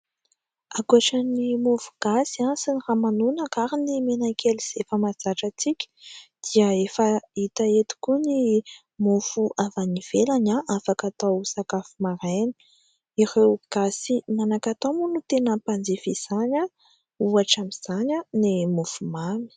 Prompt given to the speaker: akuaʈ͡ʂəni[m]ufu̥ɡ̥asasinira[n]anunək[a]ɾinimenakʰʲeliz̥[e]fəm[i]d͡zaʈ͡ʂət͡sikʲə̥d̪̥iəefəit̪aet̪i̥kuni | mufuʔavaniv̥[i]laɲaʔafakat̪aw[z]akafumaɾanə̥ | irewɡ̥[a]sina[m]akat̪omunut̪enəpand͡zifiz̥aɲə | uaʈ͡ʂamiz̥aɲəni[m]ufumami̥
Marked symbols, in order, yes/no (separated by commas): yes, no, yes, yes, no, no, no, yes, no, yes